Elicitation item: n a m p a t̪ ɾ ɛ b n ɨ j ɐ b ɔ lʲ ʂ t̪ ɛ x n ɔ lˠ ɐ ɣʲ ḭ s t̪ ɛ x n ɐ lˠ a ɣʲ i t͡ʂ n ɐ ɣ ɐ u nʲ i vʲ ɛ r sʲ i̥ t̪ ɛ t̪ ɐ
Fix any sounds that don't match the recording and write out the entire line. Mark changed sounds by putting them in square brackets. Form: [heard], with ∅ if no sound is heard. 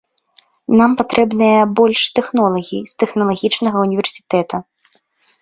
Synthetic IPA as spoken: n a m p a t̪ ɾ ɛ b n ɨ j ɐ b ɔ lʲ ʂ t̪ ɛ x n ɔ lˠ ɐ ɣʲ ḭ s t̪ ɛ x n ɐ lˠ a ɣʲ i t͡ʂ n ɐ ɣ ɐ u nʲ i vʲ ɛ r sʲ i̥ t̪ ɛ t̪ ɐ